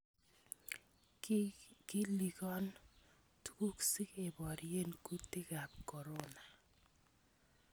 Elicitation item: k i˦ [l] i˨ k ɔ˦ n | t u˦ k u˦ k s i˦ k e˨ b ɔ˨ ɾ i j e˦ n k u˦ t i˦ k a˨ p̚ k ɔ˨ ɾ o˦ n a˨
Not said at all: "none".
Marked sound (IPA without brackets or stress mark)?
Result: l